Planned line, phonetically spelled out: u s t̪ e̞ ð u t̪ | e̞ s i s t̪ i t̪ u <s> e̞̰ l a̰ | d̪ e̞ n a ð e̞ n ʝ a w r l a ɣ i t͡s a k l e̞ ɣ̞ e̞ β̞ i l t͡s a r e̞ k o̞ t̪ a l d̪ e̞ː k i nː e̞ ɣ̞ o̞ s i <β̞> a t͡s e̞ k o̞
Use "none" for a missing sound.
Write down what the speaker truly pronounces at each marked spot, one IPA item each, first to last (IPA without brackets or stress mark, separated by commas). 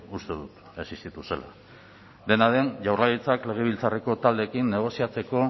s, none